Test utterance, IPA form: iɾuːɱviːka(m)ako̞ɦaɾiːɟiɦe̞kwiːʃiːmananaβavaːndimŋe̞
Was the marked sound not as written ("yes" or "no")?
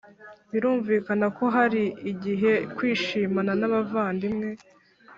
yes